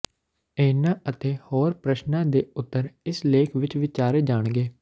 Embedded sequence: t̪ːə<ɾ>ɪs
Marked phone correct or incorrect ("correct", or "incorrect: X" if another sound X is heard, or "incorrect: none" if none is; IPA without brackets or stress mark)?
correct